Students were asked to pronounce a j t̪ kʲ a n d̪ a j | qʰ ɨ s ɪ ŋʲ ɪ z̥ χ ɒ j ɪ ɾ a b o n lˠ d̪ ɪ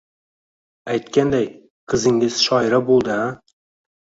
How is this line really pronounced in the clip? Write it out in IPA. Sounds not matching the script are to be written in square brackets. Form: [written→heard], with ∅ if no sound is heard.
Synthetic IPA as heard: a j t̪ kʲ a n d̪ a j | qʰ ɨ [s→z] ɪ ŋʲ ɪ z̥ [χ→ʃ] ɒ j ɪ ɾ a b o [n→∅] lˠ d̪ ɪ